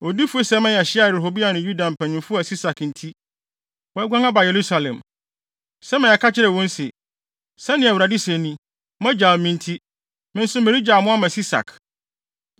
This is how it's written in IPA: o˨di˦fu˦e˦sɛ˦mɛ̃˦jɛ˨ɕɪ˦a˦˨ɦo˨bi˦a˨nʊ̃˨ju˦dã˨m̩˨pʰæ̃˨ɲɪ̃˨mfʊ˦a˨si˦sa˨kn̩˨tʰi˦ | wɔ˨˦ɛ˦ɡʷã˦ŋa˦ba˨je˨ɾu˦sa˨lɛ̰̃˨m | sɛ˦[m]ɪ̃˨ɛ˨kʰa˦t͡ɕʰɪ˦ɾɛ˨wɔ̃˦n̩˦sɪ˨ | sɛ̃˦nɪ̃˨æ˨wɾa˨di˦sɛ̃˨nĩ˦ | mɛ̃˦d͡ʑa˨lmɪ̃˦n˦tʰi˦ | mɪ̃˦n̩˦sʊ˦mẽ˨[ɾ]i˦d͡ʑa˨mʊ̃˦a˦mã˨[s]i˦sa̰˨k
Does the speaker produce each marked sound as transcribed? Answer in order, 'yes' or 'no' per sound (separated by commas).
yes, yes, yes